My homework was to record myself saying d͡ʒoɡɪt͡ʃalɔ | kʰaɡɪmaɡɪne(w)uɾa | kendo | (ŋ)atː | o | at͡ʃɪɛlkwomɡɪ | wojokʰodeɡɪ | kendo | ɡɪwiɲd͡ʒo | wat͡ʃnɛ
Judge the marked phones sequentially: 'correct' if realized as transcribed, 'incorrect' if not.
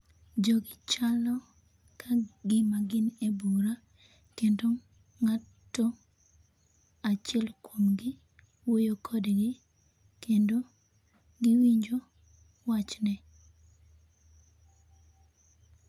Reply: incorrect, correct

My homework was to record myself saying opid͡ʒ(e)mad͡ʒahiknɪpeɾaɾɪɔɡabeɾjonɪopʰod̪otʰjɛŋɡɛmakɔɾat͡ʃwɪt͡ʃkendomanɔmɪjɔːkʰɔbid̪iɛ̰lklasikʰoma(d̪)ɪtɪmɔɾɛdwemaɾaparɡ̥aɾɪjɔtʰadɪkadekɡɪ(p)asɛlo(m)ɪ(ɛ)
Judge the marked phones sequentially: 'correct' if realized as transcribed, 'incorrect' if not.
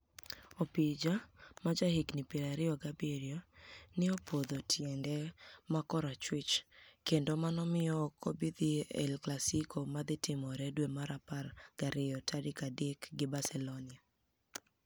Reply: incorrect, correct, incorrect, incorrect, incorrect

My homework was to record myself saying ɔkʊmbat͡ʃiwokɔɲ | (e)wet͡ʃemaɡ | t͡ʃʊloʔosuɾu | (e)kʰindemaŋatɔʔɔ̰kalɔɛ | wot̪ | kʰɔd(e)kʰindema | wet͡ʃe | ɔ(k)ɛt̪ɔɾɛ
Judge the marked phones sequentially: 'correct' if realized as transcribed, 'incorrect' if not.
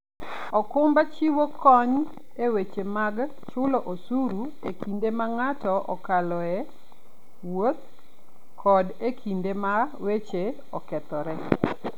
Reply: correct, correct, correct, correct

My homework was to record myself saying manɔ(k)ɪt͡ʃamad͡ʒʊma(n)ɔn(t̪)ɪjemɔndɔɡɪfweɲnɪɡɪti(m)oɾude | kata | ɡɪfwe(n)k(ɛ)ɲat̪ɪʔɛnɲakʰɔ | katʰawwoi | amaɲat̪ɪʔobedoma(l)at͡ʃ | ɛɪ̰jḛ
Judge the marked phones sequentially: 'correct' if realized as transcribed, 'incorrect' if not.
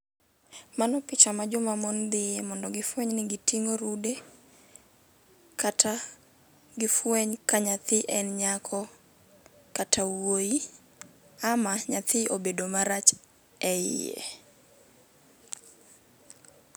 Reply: incorrect, incorrect, incorrect, incorrect, incorrect, incorrect, incorrect

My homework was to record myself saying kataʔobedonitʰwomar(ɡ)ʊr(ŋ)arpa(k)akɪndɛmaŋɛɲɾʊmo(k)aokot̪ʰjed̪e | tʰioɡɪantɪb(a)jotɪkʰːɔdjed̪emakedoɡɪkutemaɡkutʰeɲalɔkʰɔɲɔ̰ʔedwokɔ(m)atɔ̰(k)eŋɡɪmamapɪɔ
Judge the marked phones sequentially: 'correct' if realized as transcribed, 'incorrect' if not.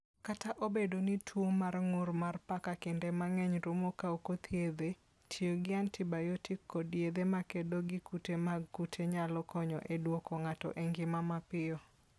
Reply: incorrect, incorrect, correct, correct, correct, incorrect, incorrect

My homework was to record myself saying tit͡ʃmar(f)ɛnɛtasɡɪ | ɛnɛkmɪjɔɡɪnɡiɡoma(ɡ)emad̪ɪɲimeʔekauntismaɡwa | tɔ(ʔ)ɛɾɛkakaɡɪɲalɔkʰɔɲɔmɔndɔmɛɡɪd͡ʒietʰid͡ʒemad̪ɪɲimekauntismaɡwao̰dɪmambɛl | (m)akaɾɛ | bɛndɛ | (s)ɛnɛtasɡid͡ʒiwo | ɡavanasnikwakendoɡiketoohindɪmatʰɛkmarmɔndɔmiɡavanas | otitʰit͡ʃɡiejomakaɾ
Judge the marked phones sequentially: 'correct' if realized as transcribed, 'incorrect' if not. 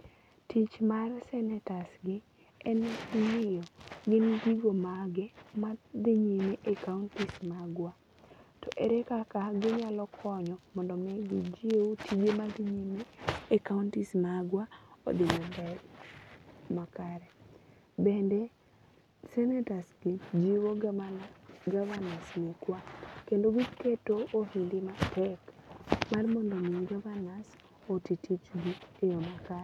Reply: incorrect, correct, correct, correct, correct

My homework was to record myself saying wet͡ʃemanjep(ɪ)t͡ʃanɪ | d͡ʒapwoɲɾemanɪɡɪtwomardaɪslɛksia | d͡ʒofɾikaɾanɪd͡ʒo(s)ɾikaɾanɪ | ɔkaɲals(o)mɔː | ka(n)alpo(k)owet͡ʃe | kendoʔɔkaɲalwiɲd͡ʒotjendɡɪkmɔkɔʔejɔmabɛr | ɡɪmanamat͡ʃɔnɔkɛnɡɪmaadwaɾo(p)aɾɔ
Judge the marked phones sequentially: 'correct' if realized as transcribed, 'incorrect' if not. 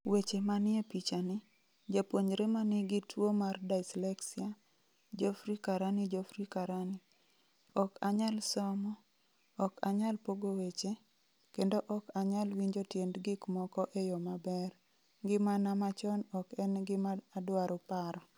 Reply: incorrect, incorrect, incorrect, incorrect, incorrect, correct

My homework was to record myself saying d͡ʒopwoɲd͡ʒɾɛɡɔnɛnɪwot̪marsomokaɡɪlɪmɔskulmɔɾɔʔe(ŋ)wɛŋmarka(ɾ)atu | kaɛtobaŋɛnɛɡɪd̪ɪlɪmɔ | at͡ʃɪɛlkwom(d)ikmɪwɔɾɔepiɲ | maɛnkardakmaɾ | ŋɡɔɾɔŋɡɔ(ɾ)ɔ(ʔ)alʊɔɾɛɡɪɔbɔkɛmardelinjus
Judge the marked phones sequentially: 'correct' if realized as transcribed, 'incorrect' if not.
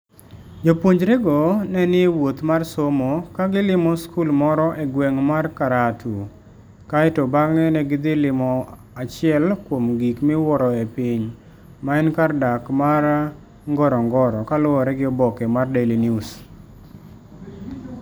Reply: incorrect, correct, incorrect, correct, incorrect

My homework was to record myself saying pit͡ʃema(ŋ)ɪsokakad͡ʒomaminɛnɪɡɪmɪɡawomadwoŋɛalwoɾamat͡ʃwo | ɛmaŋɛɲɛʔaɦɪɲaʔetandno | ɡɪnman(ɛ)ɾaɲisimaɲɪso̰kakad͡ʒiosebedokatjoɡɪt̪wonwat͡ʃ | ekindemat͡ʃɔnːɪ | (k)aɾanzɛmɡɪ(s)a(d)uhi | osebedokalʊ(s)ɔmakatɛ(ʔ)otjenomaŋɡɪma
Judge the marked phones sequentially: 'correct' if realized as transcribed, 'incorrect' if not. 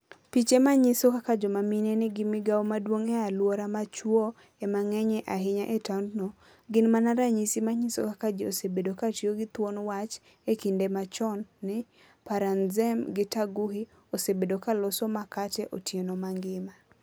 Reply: incorrect, incorrect, incorrect, incorrect, incorrect, correct, correct

